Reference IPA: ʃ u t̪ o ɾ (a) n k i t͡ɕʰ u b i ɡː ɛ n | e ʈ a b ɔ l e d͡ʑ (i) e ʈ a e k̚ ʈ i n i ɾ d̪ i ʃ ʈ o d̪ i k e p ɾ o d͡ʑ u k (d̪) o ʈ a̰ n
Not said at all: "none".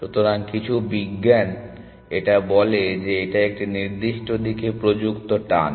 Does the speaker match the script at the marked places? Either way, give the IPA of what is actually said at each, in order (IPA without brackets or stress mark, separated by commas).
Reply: a, e, t̪